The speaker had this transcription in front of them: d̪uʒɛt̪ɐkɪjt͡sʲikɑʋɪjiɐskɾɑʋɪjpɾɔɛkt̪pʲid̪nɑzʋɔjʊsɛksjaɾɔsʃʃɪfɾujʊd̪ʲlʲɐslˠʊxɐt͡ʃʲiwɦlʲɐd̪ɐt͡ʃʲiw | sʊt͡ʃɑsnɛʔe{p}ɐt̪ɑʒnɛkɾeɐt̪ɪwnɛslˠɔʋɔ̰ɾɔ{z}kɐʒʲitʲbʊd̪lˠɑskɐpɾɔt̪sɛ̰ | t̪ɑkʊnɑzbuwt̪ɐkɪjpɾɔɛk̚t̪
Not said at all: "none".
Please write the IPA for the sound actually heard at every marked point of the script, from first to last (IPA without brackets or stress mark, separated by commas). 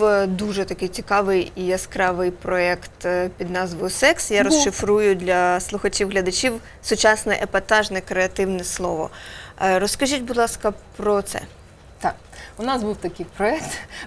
p, s